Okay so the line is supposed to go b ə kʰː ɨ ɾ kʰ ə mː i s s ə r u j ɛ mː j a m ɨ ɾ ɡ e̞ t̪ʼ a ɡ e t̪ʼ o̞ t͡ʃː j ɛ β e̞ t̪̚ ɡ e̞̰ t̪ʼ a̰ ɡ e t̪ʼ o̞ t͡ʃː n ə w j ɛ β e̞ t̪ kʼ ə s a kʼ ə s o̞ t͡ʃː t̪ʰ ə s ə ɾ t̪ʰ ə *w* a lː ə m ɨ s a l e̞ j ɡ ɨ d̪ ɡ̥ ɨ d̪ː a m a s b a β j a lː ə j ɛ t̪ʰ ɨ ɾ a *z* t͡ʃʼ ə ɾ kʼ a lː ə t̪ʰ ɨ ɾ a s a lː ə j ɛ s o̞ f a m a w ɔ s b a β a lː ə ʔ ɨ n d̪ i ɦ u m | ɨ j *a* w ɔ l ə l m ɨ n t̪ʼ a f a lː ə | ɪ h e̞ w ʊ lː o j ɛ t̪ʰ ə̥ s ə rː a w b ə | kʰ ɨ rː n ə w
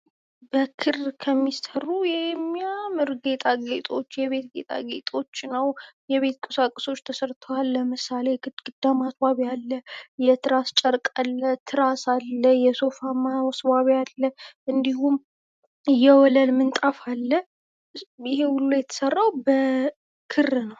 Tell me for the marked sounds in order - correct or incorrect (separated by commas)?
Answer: correct, incorrect, incorrect